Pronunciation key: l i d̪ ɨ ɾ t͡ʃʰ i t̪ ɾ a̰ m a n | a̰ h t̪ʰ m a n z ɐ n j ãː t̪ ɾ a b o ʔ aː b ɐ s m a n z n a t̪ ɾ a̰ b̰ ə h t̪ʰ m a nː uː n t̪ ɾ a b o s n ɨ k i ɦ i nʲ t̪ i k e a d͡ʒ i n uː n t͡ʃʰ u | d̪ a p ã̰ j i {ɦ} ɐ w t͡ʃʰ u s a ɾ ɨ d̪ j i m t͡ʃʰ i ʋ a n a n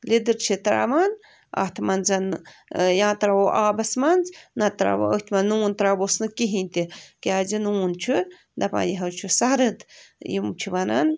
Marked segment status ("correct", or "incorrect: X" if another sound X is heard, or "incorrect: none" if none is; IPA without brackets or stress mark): correct